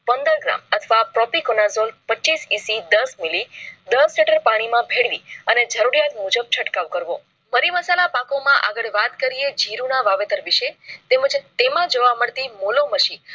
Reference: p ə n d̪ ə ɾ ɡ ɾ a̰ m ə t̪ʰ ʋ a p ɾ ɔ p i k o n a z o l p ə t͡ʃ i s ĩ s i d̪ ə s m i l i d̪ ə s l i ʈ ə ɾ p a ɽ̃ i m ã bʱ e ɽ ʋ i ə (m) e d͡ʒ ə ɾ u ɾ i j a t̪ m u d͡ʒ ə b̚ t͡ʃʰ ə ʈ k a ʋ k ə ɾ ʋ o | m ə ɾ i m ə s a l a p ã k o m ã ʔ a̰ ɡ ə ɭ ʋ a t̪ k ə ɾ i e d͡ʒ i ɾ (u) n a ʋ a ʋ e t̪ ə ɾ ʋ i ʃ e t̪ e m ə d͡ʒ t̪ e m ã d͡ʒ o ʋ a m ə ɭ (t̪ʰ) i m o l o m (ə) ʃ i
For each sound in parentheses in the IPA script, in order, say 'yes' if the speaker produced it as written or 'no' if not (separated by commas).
no, yes, no, yes